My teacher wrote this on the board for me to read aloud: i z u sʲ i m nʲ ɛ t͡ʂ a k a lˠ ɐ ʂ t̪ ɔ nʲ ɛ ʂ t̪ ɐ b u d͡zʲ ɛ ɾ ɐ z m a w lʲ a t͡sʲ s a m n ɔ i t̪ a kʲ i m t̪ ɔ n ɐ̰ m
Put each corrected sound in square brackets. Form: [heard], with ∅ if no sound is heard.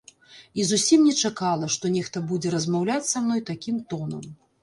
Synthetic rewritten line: i z u sʲ i m nʲ ɛ t͡ʂ a k a lˠ ɐ ʂ t̪ ɔ nʲ ɛ [x] t̪ ɐ b u d͡zʲ ɛ ɾ ɐ z m a w lʲ a t͡sʲ s a m n ɔ [j] t̪ a kʲ i m t̪ ɔ n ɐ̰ m